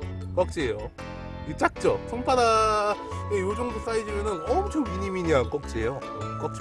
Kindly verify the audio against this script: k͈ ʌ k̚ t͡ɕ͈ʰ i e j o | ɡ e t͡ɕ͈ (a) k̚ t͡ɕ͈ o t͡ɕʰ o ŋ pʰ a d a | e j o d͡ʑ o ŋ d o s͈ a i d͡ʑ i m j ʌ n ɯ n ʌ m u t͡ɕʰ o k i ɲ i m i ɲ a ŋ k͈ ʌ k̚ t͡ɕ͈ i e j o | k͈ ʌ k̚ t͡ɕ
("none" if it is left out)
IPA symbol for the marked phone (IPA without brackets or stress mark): a